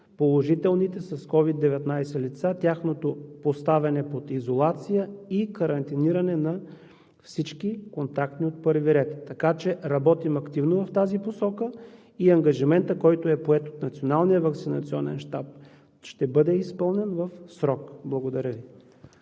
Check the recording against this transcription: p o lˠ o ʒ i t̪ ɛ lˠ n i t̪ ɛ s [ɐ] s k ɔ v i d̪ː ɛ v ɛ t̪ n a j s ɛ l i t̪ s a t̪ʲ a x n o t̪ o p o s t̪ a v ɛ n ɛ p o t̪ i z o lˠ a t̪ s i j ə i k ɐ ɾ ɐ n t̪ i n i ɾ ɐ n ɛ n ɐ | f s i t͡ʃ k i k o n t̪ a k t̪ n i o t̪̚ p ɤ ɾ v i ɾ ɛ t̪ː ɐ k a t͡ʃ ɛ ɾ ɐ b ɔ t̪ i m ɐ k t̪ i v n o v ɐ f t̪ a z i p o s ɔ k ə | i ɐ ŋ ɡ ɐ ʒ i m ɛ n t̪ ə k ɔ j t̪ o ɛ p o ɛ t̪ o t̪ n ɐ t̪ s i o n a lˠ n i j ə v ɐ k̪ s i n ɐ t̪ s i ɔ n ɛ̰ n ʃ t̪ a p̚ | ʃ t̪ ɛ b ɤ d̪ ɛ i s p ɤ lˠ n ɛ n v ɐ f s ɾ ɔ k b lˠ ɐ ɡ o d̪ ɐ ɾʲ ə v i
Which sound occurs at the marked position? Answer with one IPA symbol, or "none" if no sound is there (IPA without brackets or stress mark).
ɐ